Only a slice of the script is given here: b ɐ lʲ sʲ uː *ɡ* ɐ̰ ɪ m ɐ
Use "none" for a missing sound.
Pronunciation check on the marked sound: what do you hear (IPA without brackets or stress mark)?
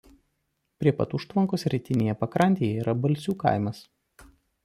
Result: k